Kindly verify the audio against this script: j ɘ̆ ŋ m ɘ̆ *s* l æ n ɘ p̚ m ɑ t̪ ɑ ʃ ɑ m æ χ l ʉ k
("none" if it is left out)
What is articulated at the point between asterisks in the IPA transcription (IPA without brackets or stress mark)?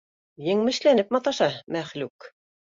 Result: ʃ